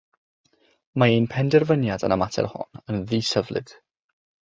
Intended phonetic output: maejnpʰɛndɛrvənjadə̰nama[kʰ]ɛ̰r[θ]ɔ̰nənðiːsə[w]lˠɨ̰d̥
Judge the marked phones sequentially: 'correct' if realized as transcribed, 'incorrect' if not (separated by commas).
incorrect, incorrect, incorrect